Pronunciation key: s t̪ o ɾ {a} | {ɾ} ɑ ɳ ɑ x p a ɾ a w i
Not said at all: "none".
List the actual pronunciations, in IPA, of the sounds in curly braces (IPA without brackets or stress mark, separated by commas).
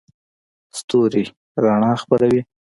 i, ɾ